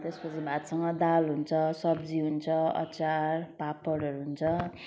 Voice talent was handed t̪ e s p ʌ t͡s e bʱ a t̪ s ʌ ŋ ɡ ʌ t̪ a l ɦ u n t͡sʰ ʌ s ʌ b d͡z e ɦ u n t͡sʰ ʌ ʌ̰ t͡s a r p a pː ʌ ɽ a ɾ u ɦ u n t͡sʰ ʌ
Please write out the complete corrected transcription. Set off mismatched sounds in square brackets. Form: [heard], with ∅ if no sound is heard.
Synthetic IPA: t̪ e s p ʌ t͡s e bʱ a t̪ s ʌ ŋ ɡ ʌ [d̪] a l ɦ u n t͡sʰ ʌ s ʌ b d͡z [i] ɦ u n t͡sʰ ʌ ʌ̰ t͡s a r p a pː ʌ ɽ [ʌ] ɾ u ɦ u n t͡sʰ ʌ

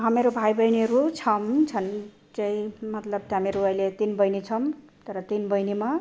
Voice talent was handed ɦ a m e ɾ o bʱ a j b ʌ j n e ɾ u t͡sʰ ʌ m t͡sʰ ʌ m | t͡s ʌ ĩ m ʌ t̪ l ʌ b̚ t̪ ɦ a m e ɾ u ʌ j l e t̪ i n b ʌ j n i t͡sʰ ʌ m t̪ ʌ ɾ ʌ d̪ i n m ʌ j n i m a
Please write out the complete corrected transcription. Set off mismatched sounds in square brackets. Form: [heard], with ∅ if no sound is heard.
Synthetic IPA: ɦ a m e ɾ o bʱ a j b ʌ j n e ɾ u t͡sʰ ʌ m t͡sʰ ʌ [n] | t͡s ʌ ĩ m ʌ t̪ l ʌ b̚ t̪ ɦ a m e ɾ u ʌ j l e t̪ i n b ʌ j n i t͡sʰ ʌ m t̪ ʌ ɾ ʌ [t̪] i n [b] ʌ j n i m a

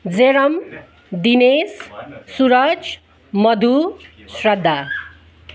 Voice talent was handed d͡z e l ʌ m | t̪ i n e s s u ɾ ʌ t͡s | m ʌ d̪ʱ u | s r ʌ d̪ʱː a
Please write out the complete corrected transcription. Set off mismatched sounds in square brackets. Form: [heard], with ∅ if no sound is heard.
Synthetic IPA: d͡z e [ɾ] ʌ m | [d̪] i n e s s u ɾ ʌ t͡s | m ʌ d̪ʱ u | s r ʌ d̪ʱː a

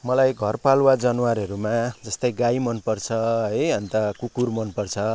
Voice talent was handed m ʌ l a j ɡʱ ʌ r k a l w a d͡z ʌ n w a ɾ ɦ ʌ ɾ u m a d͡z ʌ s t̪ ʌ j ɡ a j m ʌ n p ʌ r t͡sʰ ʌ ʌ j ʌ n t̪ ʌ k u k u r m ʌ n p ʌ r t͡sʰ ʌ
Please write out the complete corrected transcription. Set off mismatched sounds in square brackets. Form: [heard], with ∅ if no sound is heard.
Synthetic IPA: m ʌ l a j ɡʱ ʌ r [p] a l w a d͡z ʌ n w a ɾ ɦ ʌ ɾ u m a d͡z ʌ s t̪ ʌ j ɡ a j m ʌ n p ʌ r t͡sʰ ʌ ʌ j ʌ n t̪ ʌ k u k u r m ʌ n p ʌ r t͡sʰ ʌ

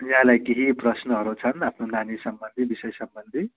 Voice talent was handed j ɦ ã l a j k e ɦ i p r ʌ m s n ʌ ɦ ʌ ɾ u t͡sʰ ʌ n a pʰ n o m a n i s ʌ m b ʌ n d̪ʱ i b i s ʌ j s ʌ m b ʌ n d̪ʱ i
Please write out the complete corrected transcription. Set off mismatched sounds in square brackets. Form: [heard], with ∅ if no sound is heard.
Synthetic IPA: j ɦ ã l a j k e ɦ i p r ʌ [∅] s n ʌ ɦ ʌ ɾ u t͡sʰ ʌ n a pʰ n o [n] a n i s ʌ m b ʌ n d̪ʱ i b i s ʌ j s ʌ m b ʌ n d̪ʱ i

